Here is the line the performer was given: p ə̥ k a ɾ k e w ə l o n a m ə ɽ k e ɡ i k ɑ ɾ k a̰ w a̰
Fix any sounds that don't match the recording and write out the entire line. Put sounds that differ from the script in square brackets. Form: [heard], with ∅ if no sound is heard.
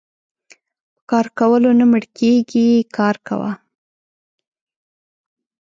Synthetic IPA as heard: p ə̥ k [ɑ] ɾ k [a] w ə l o n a m ə ɽ k e ɡ i k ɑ ɾ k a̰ w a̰